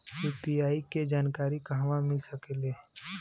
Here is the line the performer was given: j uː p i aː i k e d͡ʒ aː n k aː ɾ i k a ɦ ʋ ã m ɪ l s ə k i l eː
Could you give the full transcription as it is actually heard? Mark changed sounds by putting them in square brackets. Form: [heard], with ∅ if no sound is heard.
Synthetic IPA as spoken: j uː p i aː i k e d͡ʒ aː n k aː ɾ i k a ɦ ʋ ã m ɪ l s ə k [e] l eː

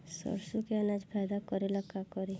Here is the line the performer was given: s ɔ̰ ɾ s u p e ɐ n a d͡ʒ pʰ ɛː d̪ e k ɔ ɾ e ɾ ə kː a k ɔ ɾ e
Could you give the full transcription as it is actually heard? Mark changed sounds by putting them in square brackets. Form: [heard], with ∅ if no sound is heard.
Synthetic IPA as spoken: s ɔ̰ ɾ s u [k] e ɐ n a d͡ʒ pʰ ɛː d̪ [a] k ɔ ɾ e [l] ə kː a k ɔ ɾ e

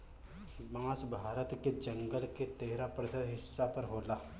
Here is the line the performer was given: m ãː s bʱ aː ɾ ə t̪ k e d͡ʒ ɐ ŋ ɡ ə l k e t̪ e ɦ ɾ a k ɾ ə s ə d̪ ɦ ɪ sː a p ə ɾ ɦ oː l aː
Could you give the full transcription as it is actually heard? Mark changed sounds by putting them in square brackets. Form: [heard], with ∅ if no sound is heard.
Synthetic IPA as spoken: m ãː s bʱ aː ɾ ə t̪ k e d͡ʒ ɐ ŋ ɡ ə l k e t̪ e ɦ ɾ a [p] ɾ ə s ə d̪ ɦ ɪ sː a p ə ɾ ɦ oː l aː

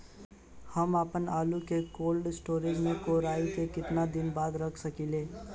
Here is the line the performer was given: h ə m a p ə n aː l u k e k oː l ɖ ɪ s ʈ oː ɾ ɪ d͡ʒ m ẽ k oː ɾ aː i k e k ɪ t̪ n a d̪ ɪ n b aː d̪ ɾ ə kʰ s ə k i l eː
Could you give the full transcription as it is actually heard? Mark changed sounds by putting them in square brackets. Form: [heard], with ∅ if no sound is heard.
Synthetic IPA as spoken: h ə m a p ə n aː l u k e k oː l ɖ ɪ s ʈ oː ɾ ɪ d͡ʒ m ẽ k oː ɾ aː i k e k ɪ t̪ n a d̪ ɪ n b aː d̪ ɾ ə kʰ s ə k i l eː

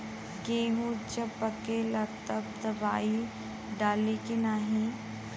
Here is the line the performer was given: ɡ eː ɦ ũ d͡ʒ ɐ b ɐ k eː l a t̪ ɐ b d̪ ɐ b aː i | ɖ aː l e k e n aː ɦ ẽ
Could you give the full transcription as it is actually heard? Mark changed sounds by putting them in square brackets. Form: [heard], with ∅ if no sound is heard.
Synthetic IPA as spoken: ɡ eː ɦ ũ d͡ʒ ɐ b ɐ k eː l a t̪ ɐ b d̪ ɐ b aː i | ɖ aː l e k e n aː ɦ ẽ

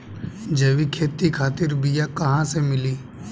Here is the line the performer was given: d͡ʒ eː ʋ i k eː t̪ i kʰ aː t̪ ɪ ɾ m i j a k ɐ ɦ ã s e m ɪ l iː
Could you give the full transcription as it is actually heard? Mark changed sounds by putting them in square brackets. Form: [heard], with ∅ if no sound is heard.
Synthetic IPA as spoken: d͡ʒ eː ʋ i [kʰ] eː t̪ i kʰ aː t̪ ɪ ɾ [b] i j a k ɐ ɦ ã s e m ɪ l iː

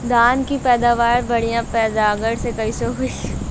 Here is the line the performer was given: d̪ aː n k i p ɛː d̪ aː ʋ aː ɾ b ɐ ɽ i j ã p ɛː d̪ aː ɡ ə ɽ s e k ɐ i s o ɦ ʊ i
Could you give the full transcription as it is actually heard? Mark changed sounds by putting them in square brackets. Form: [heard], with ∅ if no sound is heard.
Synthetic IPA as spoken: d̪ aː n k i p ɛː d̪ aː ʋ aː ɾ b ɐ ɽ i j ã p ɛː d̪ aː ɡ ə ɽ s e k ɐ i s o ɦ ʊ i

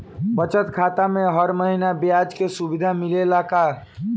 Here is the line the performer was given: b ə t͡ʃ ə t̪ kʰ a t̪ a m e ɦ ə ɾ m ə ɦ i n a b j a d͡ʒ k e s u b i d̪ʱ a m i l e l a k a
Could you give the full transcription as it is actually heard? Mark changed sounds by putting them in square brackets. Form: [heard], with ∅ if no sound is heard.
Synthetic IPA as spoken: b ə t͡ʃ ə t̪ kʰ a t̪ a m e ɦ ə ɾ m ə ɦ i n a b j a d͡ʒ k e s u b i d̪ʱ a m i l e l a k a

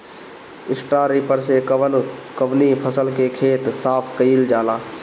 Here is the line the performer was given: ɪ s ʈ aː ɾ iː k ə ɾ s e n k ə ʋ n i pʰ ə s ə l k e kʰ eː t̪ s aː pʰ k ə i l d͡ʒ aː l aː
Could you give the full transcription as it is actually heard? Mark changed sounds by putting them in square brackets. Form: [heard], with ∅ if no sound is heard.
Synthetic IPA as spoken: ɪ s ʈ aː ɾ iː [p] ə ɾ s e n k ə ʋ n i pʰ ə s ə l k e kʰ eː t̪ s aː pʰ k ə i l d͡ʒ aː l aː

